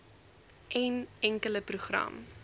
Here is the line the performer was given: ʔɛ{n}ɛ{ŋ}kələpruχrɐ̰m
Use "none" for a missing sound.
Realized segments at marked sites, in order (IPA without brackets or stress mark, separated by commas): n, ŋ